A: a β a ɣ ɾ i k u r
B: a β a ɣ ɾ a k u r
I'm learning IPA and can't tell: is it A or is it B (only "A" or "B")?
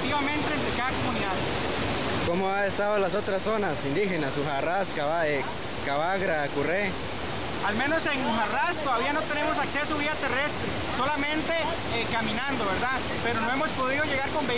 B